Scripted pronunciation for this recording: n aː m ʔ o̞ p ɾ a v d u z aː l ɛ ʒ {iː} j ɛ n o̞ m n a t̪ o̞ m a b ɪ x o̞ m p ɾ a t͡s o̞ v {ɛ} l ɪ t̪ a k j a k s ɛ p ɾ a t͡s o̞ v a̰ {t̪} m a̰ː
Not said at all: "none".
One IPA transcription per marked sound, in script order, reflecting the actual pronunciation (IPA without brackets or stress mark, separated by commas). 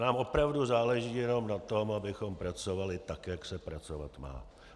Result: iː, a, t̪